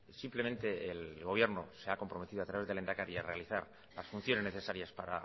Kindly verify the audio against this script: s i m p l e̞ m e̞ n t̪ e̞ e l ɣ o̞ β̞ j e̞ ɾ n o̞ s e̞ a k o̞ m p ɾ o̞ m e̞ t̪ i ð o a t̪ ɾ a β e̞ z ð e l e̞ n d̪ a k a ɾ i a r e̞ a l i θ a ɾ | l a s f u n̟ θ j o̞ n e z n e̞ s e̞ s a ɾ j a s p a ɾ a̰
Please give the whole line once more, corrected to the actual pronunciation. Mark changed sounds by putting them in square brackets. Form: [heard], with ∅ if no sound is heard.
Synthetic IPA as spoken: s i m p l e̞ m e̞ n t̪ e̞ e l ɣ o̞ β̞ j e̞ ɾ n o̞ s e̞ a k o̞ m p ɾ o̞ m e̞ t̪ i ð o a t̪ ɾ a β e̞ z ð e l e̞ n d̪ a k a ɾ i a r e̞ a l i θ a ɾ | l a s f u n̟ θ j o̞ n e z n e̞ [θ] e̞ s a ɾ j a s p a ɾ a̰

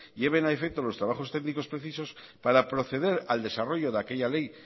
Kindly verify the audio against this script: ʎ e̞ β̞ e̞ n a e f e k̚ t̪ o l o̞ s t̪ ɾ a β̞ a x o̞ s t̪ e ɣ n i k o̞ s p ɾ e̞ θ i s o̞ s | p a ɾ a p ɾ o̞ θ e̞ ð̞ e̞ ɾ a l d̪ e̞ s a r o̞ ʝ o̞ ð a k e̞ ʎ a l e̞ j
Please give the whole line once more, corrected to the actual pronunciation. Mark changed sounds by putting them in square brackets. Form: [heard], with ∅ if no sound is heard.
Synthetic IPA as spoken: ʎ e̞ β̞ e̞ n a e f e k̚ t̪ o l o̞ s t̪ ɾ a β̞ a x o̞ s t̪ e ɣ n i k o̞ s p ɾ e̞ θ i s o̞ s | p a ɾ a p ɾ o̞ θ e̞ ð̞ e̞ ɾ a l d̪ e̞ s a r o̞ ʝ o̞ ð a k e̞ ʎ a l e̞ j

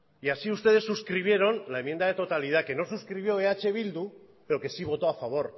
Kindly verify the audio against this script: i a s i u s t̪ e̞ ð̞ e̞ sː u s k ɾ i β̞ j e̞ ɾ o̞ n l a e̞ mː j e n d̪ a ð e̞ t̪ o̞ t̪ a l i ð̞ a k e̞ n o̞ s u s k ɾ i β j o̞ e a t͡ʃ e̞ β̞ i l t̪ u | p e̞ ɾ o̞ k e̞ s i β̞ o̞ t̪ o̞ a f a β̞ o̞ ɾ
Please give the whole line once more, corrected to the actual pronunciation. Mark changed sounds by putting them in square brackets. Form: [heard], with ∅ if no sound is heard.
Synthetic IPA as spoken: i a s i u s t̪ e̞ ð̞ e̞ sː u s k ɾ i β̞ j e̞ ɾ o̞ n l a e̞ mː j e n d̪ a ð e̞ t̪ o̞ t̪ a l i ð̞ a k e̞ n o̞ s u s k ɾ i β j o̞ e a t͡ʃ e̞ β̞ i l [d̪] u | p e̞ ɾ o̞ k e̞ s i β̞ o̞ t̪ o̞ a f a β̞ o̞ ɾ

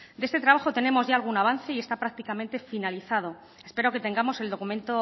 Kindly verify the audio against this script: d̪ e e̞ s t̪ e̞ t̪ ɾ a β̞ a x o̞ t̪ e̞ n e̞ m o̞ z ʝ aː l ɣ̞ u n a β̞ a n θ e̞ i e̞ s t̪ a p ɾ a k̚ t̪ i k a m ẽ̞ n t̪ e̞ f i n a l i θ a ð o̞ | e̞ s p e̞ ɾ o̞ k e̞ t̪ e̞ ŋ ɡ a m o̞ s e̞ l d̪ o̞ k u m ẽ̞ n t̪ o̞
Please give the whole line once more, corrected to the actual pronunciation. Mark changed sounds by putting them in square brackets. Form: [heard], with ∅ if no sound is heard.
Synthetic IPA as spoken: d̪ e e̞ s t̪ e̞ t̪ ɾ a β̞ a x o̞ t̪ e̞ n e̞ m o̞ z ʝ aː l ɣ̞ u n a β̞ a n θ e̞ i e̞ s t̪ a p ɾ a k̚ t̪ i k a m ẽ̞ n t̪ e̞ f i n a l i θ a ð o̞ | e̞ s p e̞ ɾ o̞ k e̞ t̪ e̞ ŋ ɡ a m o̞ s e̞ l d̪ o̞ k u m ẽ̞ n t̪ o̞

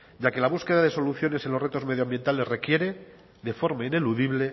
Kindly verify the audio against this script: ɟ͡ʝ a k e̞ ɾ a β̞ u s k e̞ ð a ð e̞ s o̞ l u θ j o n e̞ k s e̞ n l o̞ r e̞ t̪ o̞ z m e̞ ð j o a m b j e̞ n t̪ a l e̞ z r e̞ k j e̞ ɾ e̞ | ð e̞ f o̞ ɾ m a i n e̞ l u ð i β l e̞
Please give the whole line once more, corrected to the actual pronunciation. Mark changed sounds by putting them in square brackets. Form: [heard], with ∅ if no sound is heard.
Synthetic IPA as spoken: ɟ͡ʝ a k e̞ [l] a β̞ u s k e̞ ð a ð e̞ s o̞ l u θ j o n e̞ [∅] s e̞ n l o̞ r e̞ t̪ o̞ z m e̞ ð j o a m b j e̞ n t̪ a l e̞ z r e̞ k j e̞ ɾ e̞ | ð e̞ f o̞ ɾ m a i n e̞ l u ð i β l e̞

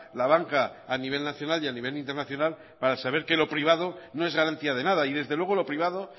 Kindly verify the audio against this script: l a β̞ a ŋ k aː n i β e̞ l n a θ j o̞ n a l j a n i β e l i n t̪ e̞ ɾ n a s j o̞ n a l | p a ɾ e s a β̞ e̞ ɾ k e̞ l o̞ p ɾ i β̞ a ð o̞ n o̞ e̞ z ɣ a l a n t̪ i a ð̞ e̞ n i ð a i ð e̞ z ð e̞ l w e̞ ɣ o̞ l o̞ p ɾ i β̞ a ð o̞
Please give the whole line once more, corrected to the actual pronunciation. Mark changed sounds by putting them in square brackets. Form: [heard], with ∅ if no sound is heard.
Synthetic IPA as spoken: l a β̞ a ŋ k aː n i β e̞ l n a θ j o̞ n a l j a n i β e l i n t̪ e̞ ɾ n a [θ] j o̞ n a l | p a ɾ [a] s a β̞ e̞ ɾ k e̞ l o̞ p ɾ i β̞ a ð o̞ n o̞ e̞ z ɣ a [ɾ] a n t̪ i a ð̞ e̞ n [a] ð a i ð e̞ z ð e̞ l w e̞ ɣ o̞ l o̞ p ɾ i β̞ a ð o̞

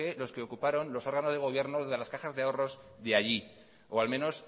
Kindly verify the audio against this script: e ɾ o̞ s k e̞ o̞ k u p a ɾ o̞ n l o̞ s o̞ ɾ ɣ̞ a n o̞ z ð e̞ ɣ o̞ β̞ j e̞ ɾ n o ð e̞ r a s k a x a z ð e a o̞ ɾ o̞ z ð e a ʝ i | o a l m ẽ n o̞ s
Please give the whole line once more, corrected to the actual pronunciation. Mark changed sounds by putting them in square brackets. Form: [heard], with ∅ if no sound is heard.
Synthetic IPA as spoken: e [l] o̞ s k e̞ o̞ k u p a ɾ o̞ n l o̞ s o̞ ɾ ɣ̞ a n o̞ z ð e̞ ɣ o̞ β̞ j e̞ ɾ n o ð e̞ [l] a s k a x a z ð e a o̞ [r] o̞ z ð e a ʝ i | o a l m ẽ n o̞ s

